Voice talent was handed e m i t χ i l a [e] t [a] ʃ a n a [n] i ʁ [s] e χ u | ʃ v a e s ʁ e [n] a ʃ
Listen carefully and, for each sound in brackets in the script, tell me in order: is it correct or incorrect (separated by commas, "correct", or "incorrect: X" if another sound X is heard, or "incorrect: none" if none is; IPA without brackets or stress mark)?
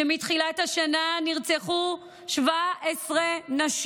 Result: correct, correct, correct, incorrect: t͡s, correct